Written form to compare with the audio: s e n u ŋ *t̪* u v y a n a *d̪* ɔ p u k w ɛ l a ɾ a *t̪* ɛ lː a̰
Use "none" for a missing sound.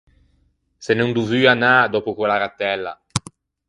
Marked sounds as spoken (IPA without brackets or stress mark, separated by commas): d̪, d̪, t̪